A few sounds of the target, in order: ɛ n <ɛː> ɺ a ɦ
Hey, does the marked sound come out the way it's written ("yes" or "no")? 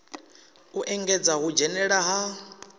no